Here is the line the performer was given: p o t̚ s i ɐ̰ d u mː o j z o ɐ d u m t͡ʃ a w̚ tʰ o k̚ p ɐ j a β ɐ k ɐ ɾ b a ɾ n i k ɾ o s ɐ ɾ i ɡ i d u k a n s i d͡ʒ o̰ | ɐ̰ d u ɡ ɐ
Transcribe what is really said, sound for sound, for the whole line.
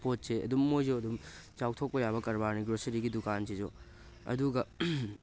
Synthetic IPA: p o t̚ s e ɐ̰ d u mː o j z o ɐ d u m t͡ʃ a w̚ tʰ o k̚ p ɐ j a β ɐ k ɐ ɾ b a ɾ n i ɡ ɾ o s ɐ ɾ i ɡ i d u k a n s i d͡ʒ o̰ | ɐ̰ d u ɡ ɐ